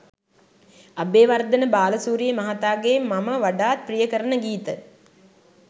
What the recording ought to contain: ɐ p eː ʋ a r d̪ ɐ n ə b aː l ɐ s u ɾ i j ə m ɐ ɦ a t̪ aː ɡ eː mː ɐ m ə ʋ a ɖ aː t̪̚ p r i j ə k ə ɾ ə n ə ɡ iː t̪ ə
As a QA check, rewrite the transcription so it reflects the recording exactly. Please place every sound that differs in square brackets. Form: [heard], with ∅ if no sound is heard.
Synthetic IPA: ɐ [b] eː ʋ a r d̪ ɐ n ə b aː l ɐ s [uː] ɾ i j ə m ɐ ɦ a t̪ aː ɡ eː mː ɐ m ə ʋ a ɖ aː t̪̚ p r i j ə k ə ɾ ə n ə ɡ iː t̪ ə